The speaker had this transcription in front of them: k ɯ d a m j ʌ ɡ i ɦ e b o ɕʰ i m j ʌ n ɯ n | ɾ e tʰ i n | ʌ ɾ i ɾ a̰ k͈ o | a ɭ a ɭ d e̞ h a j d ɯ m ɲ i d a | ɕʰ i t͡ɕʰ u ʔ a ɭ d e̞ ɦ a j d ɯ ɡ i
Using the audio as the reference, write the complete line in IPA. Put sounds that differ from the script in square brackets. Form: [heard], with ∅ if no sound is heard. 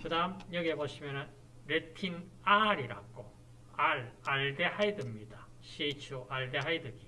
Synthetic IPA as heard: k ɯ d a m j ʌ ɡ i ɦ e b o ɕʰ i m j ʌ n ɯ n | ɾ e tʰ i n | [a] ɾ i ɾ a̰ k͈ o | a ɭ a ɭ d e̞ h a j d ɯ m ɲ i d a | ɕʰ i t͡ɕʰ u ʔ a ɭ d e̞ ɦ a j d ɯ ɡ i